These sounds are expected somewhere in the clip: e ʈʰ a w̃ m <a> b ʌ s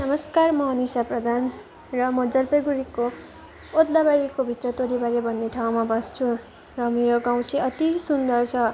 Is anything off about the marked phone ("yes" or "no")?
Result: no